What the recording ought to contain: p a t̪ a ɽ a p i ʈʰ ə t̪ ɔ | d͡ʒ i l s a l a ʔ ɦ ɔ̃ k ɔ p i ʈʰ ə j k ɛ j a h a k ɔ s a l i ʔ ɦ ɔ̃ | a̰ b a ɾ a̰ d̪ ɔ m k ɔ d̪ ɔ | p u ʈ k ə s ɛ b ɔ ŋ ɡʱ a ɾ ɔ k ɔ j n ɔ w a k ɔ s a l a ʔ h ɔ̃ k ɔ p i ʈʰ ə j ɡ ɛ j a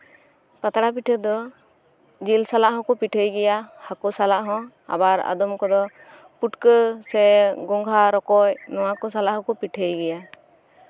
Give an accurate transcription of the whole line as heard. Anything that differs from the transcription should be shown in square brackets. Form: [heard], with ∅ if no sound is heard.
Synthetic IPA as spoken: p a t̪ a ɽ a p i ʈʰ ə [d̪] ɔ | d͡ʒ i l s a l a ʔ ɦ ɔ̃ k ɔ p i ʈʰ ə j [ɡ] ɛ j a h a k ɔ s a l [a] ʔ ɦ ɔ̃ | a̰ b a ɾ a̰ d̪ ɔ m k ɔ d̪ ɔ | p u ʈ k ə s ɛ [ɡ] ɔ ŋ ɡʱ a ɾ ɔ k ɔ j n ɔ w a k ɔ s a l a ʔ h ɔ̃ k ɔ p i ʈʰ ə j ɡ ɛ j a

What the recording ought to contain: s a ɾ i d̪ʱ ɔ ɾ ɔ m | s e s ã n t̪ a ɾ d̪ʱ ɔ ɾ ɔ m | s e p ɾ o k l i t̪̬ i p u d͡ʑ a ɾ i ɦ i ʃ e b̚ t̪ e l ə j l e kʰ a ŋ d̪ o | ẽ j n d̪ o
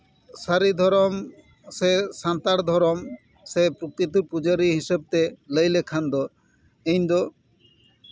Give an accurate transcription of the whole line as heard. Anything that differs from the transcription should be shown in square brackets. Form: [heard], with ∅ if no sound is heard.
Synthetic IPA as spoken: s a ɾ i d̪ʱ ɔ ɾ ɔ m | s e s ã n t̪ a ɾ d̪ʱ ɔ ɾ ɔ m | s e p ɾ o k [ɾ] i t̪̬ i p u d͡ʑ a ɾ i ɦ i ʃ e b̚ t̪ e l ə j l e kʰ a [n] d̪ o | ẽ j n d̪ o

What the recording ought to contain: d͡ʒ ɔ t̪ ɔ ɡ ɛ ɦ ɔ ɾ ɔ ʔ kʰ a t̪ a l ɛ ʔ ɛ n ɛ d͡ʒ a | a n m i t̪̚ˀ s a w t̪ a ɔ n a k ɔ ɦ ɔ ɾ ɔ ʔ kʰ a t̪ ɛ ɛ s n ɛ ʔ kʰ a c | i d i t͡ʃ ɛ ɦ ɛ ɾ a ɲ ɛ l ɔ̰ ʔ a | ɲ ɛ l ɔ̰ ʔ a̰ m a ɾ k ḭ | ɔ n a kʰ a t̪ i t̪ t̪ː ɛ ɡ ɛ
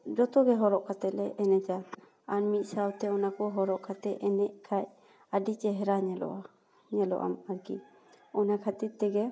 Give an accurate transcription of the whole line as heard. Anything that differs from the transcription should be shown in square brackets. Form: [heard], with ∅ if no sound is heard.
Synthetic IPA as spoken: d͡ʒ ɔ t̪ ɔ ɡ ɛ ɦ ɔ ɾ ɔ ʔ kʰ a t̪ [ɛ] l ɛ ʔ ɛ n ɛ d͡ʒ a | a n m i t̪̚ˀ s a w t̪ [ɛ] ɔ n a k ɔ ɦ ɔ ɾ ɔ ʔ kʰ a t̪ ɛ ɛ [∅] n ɛ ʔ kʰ a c | [a] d i t͡ʃ ɛ ɦ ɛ ɾ a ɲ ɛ l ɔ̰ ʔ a | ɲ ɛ l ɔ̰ ʔ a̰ m a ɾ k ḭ | ɔ n a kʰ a t̪ i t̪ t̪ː ɛ ɡ ɛ

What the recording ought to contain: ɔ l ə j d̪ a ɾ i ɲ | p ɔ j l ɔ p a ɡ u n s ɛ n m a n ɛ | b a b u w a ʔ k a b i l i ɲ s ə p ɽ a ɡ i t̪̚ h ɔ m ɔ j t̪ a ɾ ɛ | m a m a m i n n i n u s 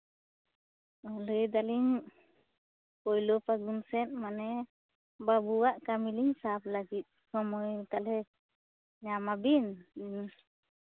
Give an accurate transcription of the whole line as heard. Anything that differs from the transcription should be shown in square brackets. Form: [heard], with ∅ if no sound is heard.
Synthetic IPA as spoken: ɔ l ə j d̪ a [l] i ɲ | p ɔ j l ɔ p a ɡ u n s ɛ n m a n ɛ | b a b u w a ʔ k a [m] i l i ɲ s [a] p [l] a ɡ i t̪̚ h ɔ m ɔ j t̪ a [l] ɛ | [ɲ] a m a [b] i n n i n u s

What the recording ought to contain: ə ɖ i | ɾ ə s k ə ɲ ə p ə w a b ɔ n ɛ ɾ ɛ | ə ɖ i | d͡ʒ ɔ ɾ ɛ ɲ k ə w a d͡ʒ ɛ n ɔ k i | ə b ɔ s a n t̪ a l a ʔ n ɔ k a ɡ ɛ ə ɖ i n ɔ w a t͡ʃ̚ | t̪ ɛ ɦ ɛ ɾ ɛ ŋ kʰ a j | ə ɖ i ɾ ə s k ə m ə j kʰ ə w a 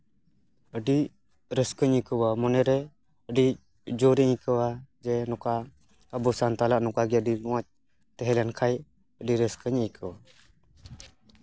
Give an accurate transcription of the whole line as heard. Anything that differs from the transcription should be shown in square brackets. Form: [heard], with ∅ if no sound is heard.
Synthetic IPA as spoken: ə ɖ i | ɾ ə s k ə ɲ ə [k] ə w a [m] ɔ n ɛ ɾ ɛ | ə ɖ i | d͡ʒ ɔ ɾ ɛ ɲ k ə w a d͡ʒ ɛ n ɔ k [a] | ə b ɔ s a n t̪ a l a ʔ n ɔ k a ɡ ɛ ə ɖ i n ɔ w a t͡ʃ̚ | t̪ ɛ ɦ ɛ [l] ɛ [n] kʰ a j | ə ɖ i ɾ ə s k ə [ɲ] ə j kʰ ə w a

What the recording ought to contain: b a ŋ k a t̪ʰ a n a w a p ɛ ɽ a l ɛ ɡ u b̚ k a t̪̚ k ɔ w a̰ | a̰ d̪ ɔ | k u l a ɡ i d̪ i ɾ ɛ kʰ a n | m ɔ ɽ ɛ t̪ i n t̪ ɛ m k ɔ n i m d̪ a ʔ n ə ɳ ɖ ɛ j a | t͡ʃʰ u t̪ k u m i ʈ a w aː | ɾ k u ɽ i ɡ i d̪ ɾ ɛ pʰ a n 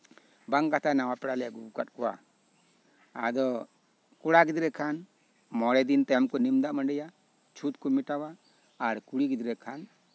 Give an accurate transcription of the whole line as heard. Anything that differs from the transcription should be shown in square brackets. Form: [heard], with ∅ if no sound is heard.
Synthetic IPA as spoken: b a ŋ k a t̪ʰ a n a w a p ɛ ɽ a l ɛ ɡ u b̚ k a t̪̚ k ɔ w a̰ | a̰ d̪ ɔ | k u [ɽ] a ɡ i d̪ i ɾ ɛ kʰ a n | m ɔ ɽ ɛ [d̪] i n t̪ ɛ m k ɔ n i m d̪ a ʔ [m] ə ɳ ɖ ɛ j a | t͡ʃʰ u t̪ k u m i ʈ a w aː | ɾ k u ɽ i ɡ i d̪ ɾ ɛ [kʰ] a n

